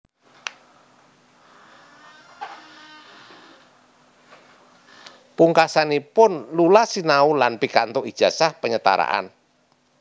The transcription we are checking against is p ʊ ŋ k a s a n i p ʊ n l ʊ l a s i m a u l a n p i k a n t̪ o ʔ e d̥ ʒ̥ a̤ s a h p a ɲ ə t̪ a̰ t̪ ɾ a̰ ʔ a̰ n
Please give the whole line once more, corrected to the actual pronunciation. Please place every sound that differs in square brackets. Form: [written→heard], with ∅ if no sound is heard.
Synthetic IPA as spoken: p [ʊ→u] ŋ k a s a n i p ʊ n l [ʊ→u] l a s i [m→n] a u l a n p i k a n t̪ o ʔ [e→i] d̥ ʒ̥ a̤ s a h p [a→ə] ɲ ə t̪ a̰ [t̪→∅] ɾ a̰ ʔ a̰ n